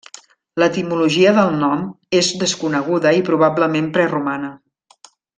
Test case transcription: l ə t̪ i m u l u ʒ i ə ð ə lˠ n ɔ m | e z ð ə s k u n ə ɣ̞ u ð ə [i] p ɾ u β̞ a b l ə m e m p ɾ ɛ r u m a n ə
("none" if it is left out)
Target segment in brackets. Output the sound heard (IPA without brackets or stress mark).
i